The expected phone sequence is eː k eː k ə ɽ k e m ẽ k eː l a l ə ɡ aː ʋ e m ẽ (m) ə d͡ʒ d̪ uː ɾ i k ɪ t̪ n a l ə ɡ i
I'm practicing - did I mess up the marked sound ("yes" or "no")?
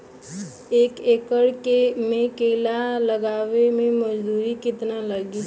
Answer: no